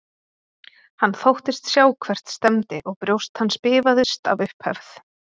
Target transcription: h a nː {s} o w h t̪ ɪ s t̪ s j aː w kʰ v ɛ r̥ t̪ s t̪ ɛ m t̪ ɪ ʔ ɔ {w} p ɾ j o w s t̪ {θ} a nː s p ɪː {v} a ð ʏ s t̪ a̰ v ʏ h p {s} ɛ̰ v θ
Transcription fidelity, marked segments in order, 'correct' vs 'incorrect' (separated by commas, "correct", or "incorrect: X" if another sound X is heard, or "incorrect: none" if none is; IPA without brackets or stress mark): incorrect: θ, incorrect: ɣ, incorrect: h, correct, incorrect: h